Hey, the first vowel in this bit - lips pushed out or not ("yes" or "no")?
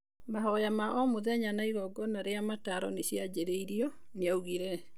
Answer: no